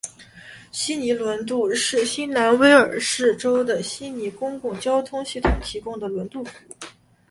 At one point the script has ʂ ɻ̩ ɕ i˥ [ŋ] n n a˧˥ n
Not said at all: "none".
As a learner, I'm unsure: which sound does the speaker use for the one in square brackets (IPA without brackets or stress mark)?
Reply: none